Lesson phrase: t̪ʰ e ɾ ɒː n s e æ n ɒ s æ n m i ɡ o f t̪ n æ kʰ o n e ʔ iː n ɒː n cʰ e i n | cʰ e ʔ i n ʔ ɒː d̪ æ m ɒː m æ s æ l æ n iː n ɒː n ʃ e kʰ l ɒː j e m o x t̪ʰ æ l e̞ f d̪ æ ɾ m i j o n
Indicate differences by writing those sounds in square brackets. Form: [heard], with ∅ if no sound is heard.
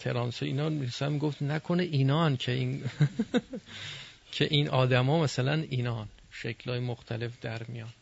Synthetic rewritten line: t̪ʰ e ɾ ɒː n s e [i] n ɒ s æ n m i ɡ o f t̪ n æ kʰ o n e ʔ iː n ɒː n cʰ e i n | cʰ e ʔ i n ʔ ɒː d̪ æ m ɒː m æ s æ l æ n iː n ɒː n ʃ e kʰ l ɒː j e m o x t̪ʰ æ l e̞ f d̪ æ ɾ m i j [ɒ] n